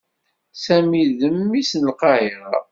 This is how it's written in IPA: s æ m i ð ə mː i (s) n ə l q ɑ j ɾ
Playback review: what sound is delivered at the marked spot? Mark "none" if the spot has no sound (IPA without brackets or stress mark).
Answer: s